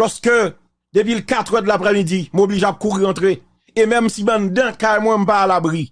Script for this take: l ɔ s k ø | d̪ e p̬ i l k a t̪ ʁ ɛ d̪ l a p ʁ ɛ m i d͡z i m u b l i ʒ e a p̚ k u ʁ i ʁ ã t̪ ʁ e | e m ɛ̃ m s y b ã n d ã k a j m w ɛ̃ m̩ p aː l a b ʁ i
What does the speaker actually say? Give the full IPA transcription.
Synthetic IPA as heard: l ɔ s k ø | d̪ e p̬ i l k a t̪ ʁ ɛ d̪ l a p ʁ ɛ m i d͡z i m o b l i ʒ e a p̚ k u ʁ i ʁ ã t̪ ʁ e | e m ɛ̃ m s i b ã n d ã k a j m w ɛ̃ m̩ p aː l a b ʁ i